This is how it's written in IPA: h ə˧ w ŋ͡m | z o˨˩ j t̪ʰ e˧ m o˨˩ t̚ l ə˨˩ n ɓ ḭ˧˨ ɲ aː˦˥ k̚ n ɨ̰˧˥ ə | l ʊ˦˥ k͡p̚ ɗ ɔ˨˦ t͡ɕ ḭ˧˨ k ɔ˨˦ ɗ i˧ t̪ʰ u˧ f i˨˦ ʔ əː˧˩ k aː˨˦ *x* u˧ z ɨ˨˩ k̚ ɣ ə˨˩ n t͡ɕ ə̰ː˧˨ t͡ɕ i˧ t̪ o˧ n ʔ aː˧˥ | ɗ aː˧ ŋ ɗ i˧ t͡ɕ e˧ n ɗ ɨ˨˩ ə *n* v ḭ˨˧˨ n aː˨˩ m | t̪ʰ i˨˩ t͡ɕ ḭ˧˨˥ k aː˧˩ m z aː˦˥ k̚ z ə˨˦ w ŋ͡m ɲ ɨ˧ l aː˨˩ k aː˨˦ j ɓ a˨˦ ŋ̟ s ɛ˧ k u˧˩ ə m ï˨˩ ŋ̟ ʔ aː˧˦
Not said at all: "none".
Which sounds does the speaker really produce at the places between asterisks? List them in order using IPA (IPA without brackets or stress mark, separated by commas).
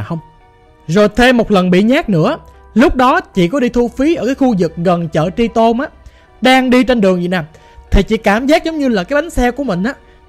x, ŋ